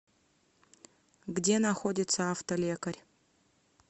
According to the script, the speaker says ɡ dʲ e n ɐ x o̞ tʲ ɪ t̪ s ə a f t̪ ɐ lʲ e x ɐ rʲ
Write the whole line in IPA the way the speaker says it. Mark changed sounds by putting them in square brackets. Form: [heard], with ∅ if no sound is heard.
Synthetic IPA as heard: ɡ dʲ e n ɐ x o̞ [dʲ] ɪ t̪ s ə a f t̪ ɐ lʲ e [k] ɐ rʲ